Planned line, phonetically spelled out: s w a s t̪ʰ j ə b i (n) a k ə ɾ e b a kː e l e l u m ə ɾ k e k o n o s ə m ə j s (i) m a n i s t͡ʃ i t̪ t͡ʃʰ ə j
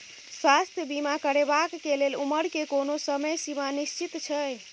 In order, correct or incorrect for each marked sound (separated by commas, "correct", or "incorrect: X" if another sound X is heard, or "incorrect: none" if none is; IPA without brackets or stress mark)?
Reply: incorrect: m, correct